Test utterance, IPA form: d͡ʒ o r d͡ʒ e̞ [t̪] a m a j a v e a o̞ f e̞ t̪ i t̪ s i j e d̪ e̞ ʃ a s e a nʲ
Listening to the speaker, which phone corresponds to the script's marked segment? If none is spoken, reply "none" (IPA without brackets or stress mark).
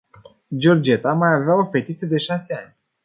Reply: t̪